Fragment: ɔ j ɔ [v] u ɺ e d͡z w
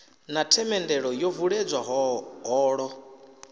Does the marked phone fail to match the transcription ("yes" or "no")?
no